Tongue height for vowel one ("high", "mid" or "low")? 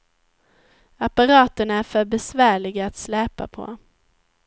low